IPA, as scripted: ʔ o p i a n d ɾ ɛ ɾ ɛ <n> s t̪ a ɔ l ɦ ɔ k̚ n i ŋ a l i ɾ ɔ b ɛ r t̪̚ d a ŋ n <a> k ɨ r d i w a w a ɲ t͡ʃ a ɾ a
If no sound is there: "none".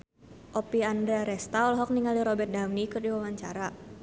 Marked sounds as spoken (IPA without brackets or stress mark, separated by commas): none, i